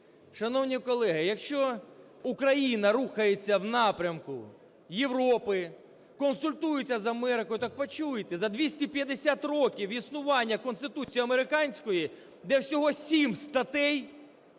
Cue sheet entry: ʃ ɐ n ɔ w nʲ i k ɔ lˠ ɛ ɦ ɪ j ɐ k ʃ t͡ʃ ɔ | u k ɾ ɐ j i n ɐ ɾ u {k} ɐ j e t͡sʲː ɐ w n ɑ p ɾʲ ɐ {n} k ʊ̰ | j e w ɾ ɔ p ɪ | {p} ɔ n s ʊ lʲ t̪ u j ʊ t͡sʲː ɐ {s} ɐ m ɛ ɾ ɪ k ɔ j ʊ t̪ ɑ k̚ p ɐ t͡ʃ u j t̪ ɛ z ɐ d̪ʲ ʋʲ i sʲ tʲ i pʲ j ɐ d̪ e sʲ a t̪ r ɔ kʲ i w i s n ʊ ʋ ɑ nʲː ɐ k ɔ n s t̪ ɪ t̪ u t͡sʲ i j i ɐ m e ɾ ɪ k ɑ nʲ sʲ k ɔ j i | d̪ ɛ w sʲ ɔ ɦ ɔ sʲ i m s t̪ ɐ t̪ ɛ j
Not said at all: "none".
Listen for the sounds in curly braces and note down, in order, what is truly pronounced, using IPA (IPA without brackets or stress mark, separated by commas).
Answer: x, m, k, z